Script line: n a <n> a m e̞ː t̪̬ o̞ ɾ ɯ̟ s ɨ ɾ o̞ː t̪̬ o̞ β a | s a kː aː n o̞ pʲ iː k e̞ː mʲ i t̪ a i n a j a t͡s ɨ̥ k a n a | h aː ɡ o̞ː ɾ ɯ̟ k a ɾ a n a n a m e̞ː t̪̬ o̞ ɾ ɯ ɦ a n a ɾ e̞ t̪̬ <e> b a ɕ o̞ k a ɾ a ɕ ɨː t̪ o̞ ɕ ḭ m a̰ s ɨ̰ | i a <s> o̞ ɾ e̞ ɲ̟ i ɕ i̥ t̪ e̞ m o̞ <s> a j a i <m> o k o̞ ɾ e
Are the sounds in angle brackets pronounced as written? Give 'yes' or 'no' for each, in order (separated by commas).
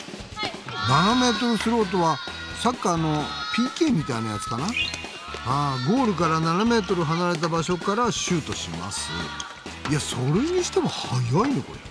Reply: yes, no, yes, no, no